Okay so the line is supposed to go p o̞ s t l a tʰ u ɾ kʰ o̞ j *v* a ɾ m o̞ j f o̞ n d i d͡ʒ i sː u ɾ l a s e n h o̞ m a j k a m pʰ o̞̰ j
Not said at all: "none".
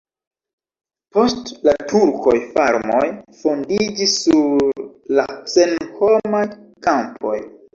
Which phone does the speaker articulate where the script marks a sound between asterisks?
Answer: f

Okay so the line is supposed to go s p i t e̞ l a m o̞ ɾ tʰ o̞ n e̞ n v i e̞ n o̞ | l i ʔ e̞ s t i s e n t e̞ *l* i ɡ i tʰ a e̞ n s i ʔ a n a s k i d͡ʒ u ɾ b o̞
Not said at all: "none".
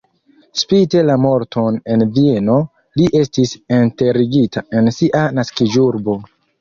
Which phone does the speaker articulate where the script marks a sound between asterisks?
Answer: ɾ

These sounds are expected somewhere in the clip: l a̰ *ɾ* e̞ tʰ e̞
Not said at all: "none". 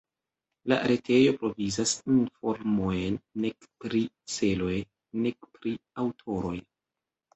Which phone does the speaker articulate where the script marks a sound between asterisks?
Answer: ɾ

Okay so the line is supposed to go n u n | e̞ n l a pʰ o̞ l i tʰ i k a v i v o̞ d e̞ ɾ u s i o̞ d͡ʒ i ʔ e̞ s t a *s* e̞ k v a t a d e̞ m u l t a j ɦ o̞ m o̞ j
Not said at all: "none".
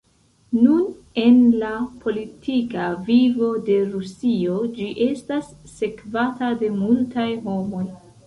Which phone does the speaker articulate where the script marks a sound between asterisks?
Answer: sː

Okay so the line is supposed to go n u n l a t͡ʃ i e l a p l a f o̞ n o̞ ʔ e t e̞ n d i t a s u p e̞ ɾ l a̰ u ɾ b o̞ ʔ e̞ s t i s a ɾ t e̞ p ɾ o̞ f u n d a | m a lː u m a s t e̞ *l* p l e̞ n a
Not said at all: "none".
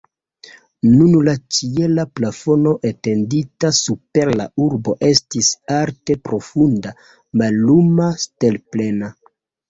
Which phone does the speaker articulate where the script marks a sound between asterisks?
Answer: l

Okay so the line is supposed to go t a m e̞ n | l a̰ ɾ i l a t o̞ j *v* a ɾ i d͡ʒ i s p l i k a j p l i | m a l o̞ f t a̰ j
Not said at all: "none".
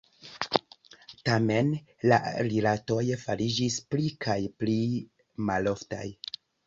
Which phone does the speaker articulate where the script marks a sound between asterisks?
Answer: f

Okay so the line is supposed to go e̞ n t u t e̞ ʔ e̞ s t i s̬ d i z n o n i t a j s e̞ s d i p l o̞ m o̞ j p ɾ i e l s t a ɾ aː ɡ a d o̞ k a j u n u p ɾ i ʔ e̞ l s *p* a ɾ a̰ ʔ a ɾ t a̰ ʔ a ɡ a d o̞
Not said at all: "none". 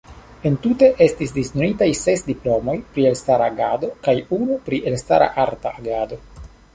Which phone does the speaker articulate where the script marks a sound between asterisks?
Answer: t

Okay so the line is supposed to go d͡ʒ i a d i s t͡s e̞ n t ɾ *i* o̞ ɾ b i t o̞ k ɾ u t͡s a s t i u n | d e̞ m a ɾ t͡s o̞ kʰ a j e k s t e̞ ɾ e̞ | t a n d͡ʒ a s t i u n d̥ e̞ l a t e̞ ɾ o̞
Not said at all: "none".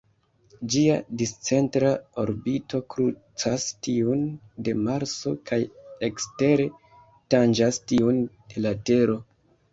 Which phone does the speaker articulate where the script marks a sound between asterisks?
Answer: a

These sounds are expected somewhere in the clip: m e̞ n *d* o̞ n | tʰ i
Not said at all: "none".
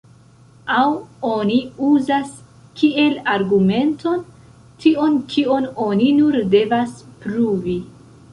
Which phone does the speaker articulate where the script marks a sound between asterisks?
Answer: t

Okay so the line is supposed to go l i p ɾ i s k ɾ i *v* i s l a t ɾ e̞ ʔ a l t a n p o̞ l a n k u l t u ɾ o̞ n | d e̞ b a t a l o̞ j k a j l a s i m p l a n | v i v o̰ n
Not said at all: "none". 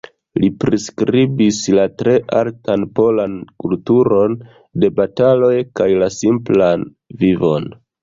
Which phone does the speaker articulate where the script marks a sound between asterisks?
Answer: b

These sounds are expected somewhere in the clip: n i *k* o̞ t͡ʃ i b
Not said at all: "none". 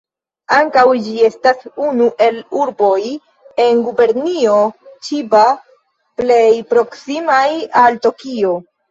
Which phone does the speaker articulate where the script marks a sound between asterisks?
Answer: none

